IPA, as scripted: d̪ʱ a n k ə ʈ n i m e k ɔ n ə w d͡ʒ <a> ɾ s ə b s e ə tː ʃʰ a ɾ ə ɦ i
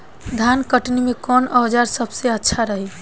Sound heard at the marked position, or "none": a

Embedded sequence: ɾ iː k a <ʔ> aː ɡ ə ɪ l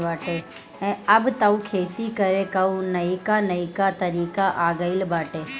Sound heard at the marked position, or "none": ʔ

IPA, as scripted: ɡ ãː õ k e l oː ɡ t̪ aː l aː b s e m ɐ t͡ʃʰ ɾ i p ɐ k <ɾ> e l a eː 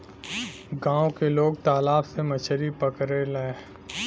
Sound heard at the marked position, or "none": ɾ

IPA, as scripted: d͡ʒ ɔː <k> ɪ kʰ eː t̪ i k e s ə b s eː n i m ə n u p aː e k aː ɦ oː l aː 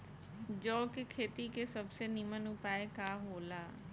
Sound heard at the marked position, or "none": k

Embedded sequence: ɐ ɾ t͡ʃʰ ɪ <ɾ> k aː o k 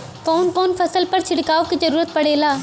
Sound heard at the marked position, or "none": ɽ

